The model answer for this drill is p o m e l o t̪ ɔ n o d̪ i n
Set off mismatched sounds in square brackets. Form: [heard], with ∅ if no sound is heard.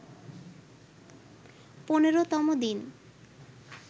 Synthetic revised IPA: p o [n] e [ɾ] o t̪ ɔ [m] o d̪ i n